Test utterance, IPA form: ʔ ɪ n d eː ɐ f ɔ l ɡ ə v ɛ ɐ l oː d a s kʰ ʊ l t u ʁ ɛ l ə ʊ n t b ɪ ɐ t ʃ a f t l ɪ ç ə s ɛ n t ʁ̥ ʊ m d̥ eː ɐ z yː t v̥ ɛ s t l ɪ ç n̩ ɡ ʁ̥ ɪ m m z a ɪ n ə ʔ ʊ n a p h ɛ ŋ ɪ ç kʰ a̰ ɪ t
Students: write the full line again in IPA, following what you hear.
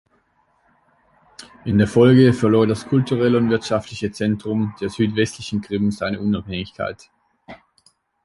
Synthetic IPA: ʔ ɪ n d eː ɐ f ɔ l ɡ ə f ɛ ɐ l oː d a s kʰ ʊ l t u ʁ ɛ l ə ʊ n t v ɪ ɐ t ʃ a f t l ɪ ç ə t͡s ɛ n t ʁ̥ ʊ m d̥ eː ɐ z yː t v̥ ɛ s t l ɪ ç n̩ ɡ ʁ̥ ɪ m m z a ɪ n ə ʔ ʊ n a p h ɛ ŋ ɪ ç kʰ a̰ ɪ t

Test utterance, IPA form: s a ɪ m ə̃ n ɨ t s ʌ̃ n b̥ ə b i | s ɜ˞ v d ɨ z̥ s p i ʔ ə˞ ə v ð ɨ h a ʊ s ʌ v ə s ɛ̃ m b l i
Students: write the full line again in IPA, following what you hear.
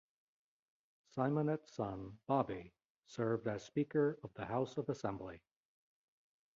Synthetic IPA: s a ɪ m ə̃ n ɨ t s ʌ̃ n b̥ ɑ b i | s ɜ˞ v d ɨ z̥ s p i k ə˞ ʌ v ð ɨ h a ʊ s ʌ v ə s ɛ̃ m b l i

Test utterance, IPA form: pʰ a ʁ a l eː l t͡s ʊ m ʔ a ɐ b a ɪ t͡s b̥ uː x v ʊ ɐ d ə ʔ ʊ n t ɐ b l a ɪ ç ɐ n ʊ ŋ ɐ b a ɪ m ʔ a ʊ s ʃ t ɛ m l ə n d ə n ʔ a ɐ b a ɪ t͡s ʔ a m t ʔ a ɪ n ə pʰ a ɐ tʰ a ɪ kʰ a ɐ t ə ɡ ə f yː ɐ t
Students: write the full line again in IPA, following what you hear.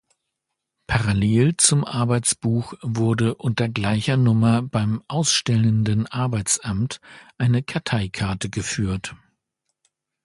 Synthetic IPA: pʰ a ʁ a l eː l t͡s ʊ m ʔ a ɐ b a ɪ t͡s b̥ uː x v ʊ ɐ d ə ʔ ʊ n t ɐ ɡ l a ɪ ç ɐ n ʊ m ɐ b a ɪ m ʔ a ʊ s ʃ t ɛ l ə n d ə n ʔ a ɐ b a ɪ t͡s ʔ a m t ʔ a ɪ n ə kʰ a ɐ tʰ a ɪ kʰ a ɐ t ə ɡ ə f yː ɐ t

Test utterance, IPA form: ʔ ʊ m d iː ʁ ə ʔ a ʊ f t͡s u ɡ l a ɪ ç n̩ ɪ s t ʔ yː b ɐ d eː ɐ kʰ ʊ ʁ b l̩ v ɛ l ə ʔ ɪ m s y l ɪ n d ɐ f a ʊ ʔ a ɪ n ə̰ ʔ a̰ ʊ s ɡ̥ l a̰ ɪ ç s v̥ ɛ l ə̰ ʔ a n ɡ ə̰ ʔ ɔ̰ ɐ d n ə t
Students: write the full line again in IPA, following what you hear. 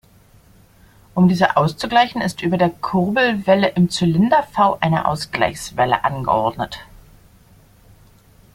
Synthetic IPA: ʔ ʊ m d iː z ə ʔ a ʊ s t͡s u ɡ l a ɪ ç n̩ ɪ s t ʔ yː b ɐ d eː ɐ kʰ ʊ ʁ b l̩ v ɛ l ə ʔ ɪ m t͡s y l ɪ n d ɐ f a ʊ ʔ a ɪ n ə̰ ʔ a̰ ʊ s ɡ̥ l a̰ ɪ ç s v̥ ɛ l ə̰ ʔ a n ɡ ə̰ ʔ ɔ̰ ɐ d n ə t

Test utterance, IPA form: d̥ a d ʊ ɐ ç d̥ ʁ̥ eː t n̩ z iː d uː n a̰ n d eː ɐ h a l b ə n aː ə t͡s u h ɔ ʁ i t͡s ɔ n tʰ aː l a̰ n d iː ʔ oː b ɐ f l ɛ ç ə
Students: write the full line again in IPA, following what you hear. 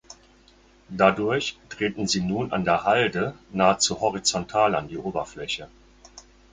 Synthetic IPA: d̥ a d ʊ ɐ ç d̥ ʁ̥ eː t n̩ z iː n uː n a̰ n d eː ɐ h a l d ə n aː ə t͡s u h ɔ ʁ i t͡s ɔ n tʰ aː l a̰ n d iː ʔ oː b ɐ f l ɛ ç ə

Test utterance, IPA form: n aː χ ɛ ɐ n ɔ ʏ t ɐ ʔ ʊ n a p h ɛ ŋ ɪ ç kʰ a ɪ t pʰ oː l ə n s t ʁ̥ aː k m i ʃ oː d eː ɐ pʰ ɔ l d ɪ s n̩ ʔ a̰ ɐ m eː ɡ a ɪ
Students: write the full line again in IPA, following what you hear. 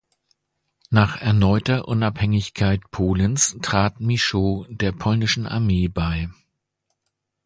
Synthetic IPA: n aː χ ɛ ɐ n ɔ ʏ t ɐ ʔ ʊ n a p h ɛ ŋ ɪ ç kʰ a ɪ t pʰ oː l ə n s t ʁ̥ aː t m i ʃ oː d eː ɐ pʰ ɔ l n ɪ ʃ n̩ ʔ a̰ ɐ m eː b a ɪ

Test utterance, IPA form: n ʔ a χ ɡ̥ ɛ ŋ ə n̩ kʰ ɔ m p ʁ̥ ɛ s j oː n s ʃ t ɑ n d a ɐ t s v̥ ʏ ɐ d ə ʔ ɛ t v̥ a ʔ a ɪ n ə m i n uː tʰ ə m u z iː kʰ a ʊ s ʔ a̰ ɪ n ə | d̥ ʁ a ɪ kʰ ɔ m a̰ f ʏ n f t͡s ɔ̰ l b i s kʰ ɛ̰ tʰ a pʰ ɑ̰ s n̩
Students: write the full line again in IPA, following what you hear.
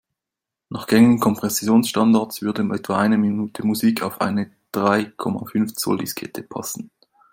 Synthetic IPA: n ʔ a χ ɡ̥ ɛ ŋ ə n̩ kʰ ɔ m p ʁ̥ ɛ s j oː n s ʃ t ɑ n d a ɐ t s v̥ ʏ ɐ d ə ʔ ɛ t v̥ a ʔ a ɪ n ə m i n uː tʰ ə m u z iː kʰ a ʊ f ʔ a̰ ɪ n ə | d̥ ʁ a ɪ kʰ ɔ m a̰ f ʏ n f t͡s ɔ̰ l d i s kʰ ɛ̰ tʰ ə pʰ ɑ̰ s n̩

